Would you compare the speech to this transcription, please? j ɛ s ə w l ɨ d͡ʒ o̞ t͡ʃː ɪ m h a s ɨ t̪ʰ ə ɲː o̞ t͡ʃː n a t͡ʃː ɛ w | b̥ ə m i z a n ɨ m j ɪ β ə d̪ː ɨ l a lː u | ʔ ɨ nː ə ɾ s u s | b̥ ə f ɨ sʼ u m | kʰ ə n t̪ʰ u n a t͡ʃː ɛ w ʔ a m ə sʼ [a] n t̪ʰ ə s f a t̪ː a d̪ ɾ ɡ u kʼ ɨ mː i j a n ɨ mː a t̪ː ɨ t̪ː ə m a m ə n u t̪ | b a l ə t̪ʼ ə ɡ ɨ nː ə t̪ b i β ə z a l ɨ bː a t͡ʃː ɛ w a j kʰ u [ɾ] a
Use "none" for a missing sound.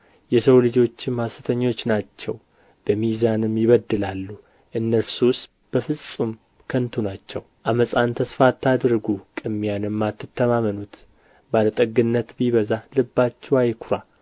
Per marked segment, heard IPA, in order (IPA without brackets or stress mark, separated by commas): a, ɾ